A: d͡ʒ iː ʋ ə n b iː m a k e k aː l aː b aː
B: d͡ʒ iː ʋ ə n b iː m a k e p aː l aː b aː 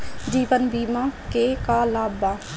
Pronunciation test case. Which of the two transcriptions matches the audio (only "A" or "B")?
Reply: A